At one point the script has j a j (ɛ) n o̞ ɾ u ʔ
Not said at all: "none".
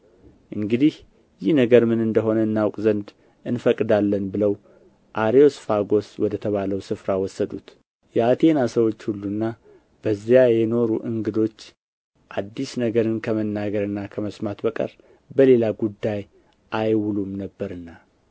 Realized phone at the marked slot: ɛ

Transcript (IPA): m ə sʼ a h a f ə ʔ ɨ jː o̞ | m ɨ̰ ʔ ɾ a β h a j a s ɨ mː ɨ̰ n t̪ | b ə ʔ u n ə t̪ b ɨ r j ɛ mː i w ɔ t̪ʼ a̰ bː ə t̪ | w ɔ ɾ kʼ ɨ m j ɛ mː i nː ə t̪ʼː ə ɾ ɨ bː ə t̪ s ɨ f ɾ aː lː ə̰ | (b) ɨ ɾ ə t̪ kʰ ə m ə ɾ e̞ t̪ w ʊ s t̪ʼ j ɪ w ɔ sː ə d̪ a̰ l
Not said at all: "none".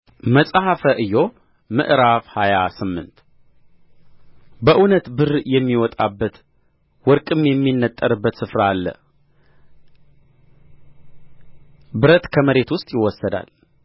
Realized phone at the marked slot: b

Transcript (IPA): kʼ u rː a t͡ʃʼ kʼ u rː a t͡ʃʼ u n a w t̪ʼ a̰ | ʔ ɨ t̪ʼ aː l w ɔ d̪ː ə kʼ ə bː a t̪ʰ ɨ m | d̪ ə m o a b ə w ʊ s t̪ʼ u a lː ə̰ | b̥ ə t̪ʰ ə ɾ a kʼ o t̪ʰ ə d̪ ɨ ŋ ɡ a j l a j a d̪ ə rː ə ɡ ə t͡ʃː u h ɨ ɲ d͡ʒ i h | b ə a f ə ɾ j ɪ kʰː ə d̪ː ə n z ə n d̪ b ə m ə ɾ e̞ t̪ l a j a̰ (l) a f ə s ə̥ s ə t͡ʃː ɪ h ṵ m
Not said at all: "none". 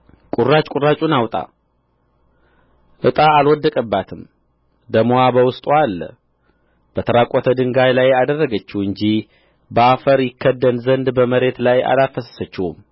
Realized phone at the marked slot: l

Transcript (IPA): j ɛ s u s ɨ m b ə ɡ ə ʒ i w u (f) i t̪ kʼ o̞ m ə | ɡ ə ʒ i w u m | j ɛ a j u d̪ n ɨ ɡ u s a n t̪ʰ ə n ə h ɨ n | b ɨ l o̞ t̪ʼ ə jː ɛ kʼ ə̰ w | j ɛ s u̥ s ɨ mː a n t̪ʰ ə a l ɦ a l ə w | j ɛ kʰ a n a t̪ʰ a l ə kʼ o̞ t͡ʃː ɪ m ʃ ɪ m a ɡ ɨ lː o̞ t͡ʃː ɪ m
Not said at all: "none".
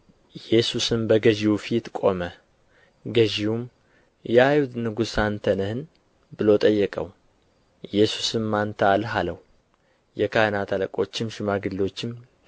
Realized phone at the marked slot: f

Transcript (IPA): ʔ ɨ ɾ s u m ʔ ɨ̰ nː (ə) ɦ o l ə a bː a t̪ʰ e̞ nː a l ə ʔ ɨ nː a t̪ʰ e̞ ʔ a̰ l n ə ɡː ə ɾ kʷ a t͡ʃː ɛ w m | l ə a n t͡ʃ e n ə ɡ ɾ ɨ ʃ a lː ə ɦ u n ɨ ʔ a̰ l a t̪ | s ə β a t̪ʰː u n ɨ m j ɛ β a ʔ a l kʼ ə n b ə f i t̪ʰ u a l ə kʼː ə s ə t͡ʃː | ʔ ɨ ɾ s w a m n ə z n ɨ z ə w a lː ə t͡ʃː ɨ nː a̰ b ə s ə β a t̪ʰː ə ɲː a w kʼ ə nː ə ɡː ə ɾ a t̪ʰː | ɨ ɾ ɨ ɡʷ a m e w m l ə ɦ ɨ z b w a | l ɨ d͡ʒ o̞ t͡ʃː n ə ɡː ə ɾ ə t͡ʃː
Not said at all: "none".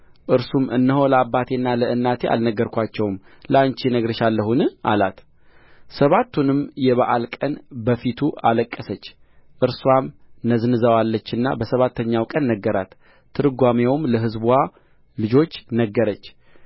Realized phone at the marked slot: ə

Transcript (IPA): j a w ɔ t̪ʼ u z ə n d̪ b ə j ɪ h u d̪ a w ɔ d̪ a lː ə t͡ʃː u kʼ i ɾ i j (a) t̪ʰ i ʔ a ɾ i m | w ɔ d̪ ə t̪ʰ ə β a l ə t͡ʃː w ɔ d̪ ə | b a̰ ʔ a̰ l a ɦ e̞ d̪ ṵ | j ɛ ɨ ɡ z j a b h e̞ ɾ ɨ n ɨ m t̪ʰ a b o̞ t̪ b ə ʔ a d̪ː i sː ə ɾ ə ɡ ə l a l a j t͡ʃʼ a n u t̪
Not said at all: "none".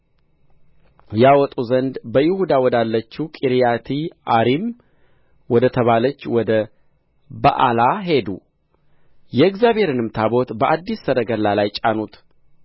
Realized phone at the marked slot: a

